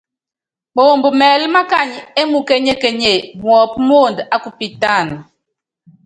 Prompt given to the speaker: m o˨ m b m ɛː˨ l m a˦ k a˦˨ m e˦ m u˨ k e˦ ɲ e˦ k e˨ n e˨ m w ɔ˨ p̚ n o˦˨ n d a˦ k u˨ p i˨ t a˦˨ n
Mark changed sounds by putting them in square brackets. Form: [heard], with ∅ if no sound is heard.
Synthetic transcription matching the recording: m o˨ m b m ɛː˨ l m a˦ k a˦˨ [ɲ] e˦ m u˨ k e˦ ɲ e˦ k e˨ [ɲ] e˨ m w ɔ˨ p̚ [m] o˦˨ n d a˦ k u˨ p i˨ t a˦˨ n

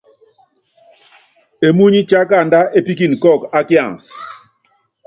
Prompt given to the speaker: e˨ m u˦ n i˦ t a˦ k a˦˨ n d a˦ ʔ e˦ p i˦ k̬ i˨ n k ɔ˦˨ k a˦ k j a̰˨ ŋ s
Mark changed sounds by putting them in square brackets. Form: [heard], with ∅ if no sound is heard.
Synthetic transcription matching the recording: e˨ m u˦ [ɲ] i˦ [t͡ʃ] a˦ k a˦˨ n d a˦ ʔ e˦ p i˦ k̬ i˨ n k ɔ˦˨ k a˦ k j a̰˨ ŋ s

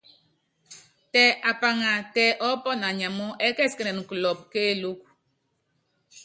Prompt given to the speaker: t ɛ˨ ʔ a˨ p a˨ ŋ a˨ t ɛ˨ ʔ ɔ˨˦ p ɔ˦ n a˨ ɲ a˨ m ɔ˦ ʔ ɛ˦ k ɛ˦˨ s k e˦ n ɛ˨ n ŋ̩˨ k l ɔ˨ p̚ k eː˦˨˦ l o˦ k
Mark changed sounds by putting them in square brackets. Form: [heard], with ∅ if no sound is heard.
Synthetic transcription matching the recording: t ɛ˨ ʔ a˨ p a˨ ŋ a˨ t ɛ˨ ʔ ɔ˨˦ p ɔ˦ n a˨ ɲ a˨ m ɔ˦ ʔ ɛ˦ k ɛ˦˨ s k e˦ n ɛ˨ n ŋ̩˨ k l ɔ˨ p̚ k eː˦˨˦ l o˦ k

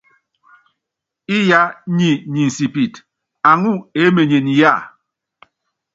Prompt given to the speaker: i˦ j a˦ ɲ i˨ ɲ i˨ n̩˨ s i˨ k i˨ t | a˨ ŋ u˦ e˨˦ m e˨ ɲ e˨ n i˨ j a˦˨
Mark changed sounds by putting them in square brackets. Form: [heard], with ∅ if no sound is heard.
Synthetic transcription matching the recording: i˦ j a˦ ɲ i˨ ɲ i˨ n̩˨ s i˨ [p] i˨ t | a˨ ŋ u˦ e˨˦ m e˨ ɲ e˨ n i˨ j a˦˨

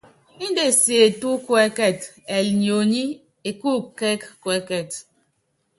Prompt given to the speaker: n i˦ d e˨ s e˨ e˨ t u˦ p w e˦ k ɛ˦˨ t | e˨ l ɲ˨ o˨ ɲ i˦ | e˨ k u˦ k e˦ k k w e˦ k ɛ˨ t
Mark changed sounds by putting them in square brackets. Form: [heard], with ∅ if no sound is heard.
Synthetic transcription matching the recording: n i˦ d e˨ s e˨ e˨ t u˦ [k] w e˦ k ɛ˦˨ t | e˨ l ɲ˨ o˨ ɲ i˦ | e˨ k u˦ k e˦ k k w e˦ k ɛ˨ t

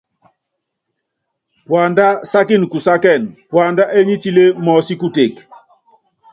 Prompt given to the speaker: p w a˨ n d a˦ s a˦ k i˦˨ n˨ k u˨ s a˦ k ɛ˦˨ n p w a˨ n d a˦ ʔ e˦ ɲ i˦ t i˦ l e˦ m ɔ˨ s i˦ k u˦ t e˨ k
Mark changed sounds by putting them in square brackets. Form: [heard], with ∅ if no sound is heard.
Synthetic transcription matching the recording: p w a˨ n d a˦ s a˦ k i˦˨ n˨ k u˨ s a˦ k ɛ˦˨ n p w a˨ n d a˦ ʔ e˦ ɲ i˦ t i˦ l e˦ m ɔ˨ s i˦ k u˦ t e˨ k

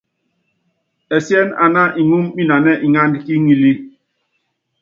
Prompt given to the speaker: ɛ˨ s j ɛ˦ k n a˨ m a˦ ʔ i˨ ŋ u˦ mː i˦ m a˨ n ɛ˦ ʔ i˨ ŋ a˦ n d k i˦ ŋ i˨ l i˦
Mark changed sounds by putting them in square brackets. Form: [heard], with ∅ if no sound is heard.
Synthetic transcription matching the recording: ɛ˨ s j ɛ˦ [∅] n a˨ [n] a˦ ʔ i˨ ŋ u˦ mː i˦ [n] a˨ n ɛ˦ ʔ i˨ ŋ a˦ n d k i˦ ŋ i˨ l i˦

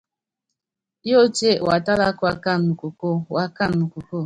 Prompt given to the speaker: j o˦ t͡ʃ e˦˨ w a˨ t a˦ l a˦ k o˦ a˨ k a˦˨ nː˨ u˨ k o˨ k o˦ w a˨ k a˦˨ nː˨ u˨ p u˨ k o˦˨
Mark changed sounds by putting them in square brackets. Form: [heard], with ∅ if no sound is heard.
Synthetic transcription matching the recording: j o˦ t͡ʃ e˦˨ w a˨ t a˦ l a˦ k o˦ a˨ k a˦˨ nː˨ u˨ k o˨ k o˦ w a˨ k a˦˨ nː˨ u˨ [k] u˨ k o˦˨

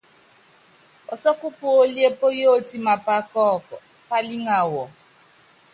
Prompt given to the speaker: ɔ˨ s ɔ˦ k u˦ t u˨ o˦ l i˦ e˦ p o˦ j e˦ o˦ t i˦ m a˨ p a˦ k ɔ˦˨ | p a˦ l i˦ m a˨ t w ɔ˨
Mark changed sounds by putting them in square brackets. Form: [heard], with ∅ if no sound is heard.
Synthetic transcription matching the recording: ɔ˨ s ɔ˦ k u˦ [p] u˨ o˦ l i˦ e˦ p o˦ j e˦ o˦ t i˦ m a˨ p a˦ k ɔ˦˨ | p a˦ l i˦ [ŋ] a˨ [∅] w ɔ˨

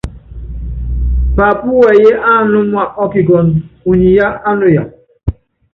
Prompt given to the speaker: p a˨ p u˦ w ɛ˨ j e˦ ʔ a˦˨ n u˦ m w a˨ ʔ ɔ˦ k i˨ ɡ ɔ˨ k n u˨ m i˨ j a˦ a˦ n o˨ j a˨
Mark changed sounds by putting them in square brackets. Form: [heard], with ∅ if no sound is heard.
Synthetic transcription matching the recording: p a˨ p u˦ w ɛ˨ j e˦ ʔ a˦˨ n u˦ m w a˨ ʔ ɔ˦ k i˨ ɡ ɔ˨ [∅] n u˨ [ɲ] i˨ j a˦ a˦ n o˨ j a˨

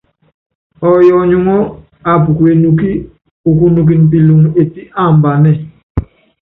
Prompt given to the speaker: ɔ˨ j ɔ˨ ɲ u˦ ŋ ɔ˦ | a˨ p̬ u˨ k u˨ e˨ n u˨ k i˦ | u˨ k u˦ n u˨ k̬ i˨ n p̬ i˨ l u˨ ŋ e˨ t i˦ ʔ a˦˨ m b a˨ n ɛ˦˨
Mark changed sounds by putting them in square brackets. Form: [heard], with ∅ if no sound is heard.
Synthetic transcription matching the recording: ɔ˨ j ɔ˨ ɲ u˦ ŋ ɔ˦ | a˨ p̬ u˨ k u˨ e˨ n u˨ k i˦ | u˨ k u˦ n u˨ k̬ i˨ n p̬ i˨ l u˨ ŋ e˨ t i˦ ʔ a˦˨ m b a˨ n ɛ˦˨

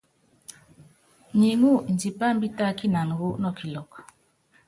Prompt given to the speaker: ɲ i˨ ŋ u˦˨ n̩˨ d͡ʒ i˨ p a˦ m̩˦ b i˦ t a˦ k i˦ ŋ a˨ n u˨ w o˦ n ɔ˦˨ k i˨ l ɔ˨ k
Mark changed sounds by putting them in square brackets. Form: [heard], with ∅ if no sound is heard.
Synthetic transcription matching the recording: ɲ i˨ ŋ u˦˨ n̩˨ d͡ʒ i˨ p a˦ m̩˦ b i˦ t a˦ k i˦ [n] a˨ n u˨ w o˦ n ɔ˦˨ k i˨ l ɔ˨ k

